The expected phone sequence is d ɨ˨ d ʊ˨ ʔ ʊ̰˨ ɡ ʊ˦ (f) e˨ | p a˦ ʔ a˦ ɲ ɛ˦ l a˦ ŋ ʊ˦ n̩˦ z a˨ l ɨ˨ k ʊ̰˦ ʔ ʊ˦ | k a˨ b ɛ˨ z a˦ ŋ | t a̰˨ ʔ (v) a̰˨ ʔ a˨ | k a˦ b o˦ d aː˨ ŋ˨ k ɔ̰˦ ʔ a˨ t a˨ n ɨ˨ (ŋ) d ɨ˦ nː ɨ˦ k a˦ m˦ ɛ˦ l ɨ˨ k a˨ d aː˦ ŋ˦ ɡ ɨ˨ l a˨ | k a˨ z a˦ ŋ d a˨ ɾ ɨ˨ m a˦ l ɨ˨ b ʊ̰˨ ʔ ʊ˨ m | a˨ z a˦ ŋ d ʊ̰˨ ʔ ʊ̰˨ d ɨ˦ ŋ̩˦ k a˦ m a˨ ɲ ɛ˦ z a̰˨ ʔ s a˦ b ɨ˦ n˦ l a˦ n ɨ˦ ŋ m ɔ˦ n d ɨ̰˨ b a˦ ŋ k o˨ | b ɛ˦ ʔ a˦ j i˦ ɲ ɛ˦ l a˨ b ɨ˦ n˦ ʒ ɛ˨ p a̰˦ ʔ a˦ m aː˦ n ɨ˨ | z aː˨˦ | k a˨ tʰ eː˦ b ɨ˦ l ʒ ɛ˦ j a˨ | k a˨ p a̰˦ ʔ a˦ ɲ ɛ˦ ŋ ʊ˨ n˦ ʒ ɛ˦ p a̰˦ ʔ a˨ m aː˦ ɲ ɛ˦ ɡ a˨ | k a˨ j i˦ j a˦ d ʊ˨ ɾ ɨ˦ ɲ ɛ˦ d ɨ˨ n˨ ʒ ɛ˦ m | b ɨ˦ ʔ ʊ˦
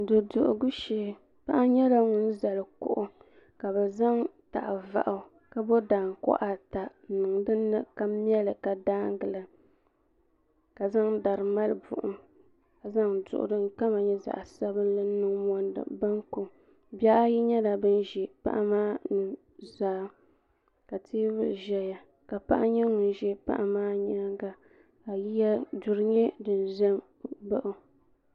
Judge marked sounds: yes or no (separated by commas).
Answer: no, yes, yes